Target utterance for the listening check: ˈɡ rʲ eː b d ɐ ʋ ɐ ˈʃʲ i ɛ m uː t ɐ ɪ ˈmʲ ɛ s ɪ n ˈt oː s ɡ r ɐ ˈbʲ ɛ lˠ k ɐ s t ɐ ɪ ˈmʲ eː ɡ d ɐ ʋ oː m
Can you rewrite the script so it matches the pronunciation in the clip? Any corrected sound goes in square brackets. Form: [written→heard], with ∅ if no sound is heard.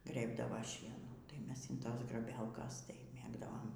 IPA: ˈɡ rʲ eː b d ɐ ʋ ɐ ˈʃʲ i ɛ [m→n] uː t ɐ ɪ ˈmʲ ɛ s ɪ n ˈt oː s ɡ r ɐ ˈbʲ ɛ lˠ k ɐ s t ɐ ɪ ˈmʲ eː ɡ d ɐ ʋ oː m